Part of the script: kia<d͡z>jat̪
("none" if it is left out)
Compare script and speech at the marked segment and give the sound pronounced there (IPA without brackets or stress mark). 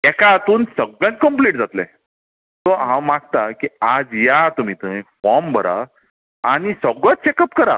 d͡z